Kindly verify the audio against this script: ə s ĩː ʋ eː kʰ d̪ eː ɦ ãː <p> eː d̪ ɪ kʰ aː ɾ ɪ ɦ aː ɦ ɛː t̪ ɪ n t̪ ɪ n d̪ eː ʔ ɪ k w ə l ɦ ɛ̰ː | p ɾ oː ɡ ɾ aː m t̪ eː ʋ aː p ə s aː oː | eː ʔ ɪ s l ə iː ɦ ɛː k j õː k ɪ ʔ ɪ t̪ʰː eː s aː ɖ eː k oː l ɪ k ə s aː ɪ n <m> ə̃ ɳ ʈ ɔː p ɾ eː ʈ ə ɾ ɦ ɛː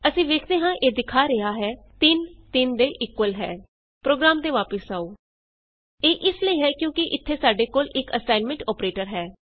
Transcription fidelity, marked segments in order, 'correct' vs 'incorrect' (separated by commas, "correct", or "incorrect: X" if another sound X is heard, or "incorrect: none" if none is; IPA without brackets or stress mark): incorrect: ʔ, correct